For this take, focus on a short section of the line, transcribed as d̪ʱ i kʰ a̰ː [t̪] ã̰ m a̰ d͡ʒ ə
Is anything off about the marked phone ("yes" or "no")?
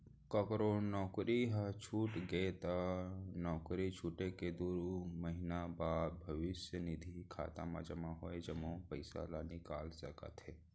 no